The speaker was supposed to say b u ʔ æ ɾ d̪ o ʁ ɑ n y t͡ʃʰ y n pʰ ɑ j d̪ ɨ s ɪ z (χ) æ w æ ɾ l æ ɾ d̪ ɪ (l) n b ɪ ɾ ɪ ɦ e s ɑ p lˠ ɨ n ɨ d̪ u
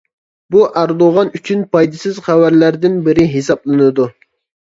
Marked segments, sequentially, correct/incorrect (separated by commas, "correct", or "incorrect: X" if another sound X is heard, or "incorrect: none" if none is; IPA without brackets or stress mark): correct, incorrect: none